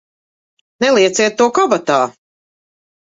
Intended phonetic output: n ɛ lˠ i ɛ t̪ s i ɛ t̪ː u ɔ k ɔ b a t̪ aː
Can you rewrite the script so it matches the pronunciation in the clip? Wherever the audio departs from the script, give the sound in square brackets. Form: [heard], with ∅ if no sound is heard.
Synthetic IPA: n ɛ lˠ i ɛ t̪ s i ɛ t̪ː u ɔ k ɔ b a t̪ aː